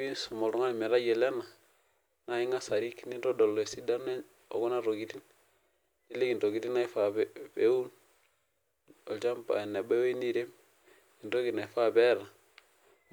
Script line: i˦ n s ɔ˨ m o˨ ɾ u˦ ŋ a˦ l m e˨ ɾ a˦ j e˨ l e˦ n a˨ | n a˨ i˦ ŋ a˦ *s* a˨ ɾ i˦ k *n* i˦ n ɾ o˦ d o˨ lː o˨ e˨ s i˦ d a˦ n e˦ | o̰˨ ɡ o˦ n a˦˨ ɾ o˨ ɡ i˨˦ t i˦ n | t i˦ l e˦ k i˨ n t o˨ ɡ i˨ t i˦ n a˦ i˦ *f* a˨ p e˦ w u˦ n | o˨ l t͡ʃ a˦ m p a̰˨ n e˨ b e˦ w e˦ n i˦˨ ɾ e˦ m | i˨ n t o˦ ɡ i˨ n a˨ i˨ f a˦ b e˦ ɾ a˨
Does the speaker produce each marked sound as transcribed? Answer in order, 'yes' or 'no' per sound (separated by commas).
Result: yes, yes, yes